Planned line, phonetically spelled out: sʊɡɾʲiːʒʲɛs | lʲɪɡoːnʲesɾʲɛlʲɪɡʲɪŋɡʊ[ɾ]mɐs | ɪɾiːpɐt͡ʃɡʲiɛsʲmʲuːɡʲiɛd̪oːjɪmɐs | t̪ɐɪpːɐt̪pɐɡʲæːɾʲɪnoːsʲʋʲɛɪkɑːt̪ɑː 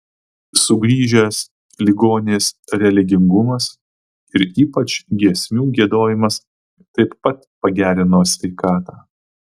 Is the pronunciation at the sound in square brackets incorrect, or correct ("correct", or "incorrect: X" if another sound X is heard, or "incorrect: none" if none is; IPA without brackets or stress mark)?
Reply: incorrect: none